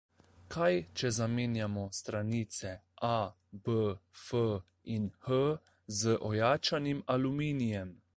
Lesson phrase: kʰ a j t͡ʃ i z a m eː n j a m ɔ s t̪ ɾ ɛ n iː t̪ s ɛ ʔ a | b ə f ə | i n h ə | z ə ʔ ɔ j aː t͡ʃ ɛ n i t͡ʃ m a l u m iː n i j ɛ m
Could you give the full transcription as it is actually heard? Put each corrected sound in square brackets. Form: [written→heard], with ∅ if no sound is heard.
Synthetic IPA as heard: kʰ a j t͡ʃ [i→ɛ] z a m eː n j a m ɔ s t̪ ɾ [ɛ→a] n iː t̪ s ɛ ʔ a | b ə f ə | i n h ə | z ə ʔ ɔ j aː t͡ʃ [ɛ→a] n i [t͡ʃ→∅] m a l u m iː n i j ɛ m